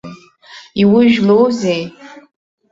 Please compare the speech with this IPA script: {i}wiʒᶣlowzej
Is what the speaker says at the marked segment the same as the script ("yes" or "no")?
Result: yes